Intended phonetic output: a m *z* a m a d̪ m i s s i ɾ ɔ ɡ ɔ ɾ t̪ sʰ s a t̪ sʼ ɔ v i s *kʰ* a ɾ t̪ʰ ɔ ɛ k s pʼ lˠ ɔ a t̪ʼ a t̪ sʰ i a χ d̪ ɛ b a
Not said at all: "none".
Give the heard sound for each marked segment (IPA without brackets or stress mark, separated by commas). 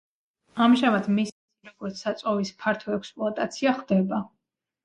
ʒ, pʰ